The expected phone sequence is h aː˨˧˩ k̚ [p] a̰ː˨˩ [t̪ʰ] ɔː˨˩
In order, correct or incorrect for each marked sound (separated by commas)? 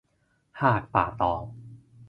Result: correct, incorrect